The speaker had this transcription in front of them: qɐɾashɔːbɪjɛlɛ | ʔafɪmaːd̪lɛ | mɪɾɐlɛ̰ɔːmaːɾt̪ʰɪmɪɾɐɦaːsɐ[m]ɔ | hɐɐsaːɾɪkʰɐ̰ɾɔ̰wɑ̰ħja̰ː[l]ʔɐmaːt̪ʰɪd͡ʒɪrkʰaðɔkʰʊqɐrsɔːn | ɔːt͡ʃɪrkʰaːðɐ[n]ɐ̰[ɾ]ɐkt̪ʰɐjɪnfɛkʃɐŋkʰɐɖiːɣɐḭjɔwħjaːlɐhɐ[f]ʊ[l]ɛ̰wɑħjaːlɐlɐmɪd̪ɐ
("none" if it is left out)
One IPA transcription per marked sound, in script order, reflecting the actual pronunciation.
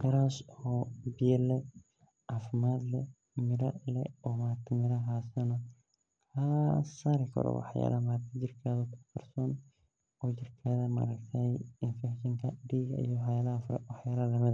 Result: n, l, m, ɾ, f, ɾ

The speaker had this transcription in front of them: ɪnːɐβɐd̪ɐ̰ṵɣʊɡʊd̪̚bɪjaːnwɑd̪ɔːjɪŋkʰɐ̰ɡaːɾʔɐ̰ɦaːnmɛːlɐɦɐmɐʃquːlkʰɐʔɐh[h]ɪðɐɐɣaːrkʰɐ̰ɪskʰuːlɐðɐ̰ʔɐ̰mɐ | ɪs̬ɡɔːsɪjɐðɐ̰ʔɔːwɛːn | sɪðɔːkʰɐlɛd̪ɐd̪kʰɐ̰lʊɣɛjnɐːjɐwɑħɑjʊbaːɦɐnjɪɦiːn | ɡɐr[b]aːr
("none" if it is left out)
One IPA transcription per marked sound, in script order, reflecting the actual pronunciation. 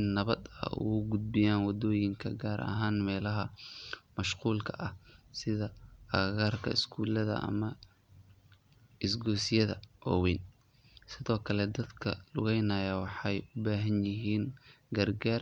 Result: s, ɡ

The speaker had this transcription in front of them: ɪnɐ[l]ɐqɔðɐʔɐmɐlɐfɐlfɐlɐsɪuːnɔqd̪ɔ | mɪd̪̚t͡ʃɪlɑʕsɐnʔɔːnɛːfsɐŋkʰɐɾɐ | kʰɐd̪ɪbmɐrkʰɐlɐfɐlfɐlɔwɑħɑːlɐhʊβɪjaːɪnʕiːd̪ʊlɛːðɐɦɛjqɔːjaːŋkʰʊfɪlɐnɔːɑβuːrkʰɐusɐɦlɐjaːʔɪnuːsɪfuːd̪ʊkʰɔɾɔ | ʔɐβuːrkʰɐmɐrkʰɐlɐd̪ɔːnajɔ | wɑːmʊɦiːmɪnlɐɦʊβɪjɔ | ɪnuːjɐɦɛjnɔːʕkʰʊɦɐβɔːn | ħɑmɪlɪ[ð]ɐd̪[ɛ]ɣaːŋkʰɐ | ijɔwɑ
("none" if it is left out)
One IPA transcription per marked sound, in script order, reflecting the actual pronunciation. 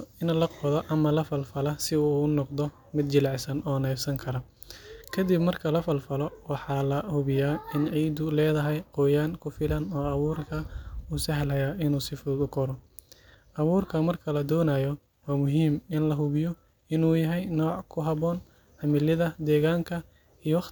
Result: l, ð, ɛː

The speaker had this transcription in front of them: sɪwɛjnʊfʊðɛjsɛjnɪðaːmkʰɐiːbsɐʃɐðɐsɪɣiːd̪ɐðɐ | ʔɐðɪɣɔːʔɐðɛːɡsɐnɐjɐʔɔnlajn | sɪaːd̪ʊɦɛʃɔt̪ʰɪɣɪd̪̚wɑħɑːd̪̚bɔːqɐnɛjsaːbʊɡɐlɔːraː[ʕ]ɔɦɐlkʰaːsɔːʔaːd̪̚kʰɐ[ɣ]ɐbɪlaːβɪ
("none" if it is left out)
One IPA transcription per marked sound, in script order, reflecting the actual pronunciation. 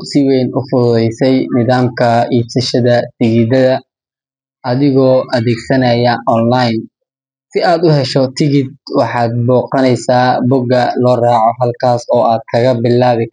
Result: ʕ, ɣ

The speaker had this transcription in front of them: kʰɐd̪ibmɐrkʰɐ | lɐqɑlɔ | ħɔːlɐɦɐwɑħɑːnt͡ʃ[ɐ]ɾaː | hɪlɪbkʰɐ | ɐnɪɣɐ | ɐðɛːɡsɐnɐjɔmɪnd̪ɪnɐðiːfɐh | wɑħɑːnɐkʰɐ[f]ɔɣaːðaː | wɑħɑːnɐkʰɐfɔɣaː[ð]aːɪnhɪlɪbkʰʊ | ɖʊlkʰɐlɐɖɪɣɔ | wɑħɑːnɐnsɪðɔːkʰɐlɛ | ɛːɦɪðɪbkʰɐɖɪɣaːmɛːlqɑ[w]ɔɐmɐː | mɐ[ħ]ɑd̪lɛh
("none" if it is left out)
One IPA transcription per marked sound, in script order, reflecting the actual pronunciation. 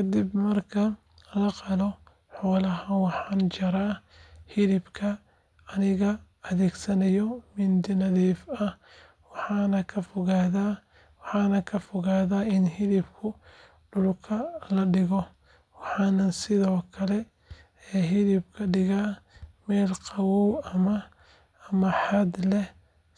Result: ɐ, f, ð, w, ħ

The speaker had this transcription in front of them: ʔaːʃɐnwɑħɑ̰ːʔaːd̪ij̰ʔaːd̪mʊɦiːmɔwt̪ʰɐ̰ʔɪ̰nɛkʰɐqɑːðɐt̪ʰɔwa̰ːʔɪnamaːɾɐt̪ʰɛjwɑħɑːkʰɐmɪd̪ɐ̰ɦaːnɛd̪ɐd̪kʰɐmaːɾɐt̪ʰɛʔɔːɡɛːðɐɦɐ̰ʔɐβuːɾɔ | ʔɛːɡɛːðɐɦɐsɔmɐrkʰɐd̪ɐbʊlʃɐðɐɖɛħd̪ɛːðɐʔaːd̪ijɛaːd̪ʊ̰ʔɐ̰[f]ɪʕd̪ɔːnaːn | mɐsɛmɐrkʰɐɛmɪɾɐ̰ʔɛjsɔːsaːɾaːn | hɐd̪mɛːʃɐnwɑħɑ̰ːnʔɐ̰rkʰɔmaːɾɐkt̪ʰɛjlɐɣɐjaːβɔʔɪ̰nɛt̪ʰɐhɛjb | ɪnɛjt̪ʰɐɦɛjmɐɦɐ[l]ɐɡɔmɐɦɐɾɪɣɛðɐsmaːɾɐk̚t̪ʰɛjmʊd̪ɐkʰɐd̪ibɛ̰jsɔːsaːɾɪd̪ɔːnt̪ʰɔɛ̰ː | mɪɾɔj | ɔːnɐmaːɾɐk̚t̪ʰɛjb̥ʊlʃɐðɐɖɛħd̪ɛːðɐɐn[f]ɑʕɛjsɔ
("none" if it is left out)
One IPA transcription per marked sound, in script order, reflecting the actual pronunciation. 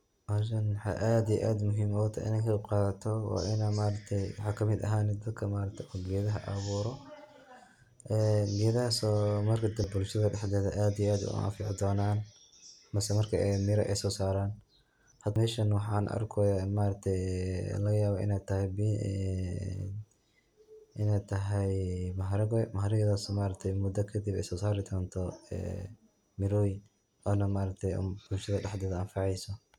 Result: f, ɾ, f

